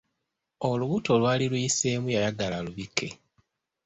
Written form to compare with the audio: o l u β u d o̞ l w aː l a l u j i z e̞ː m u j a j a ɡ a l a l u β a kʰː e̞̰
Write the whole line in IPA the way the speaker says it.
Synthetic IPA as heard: o l u β u t o̞ l w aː l i l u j i s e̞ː m u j a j a ɡ a l a l u β i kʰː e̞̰